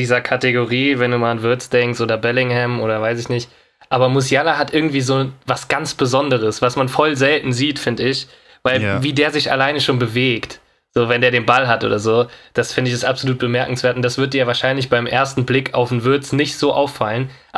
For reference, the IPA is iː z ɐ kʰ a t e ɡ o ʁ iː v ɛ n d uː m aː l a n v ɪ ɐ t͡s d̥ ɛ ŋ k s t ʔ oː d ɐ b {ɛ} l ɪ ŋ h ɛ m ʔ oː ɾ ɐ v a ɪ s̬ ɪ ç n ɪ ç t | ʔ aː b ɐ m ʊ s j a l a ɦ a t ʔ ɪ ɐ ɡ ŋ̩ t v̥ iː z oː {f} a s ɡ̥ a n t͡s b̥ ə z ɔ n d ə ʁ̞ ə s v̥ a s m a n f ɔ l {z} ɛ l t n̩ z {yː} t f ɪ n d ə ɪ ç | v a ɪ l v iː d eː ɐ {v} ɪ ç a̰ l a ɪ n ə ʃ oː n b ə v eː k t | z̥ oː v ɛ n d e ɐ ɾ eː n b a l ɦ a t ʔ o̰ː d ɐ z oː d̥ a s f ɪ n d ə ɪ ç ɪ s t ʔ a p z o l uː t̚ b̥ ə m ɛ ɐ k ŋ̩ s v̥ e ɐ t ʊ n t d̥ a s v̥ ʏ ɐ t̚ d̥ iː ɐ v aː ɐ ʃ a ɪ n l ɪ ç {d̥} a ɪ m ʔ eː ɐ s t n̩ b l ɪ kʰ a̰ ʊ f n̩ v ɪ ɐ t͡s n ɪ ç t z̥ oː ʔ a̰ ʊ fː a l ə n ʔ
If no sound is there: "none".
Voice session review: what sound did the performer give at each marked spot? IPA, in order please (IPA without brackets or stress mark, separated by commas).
ɛ, v, z, iː, z, b̥